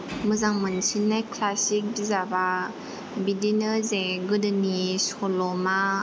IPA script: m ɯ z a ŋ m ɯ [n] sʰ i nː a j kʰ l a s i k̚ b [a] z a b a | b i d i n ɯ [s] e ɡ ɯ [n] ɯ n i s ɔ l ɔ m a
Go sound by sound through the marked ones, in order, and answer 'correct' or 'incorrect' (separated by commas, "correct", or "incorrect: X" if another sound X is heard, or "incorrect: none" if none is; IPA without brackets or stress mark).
correct, incorrect: i, incorrect: z, incorrect: d